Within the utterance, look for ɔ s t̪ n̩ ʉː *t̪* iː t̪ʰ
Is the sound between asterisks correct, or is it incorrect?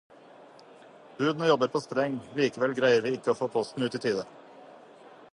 correct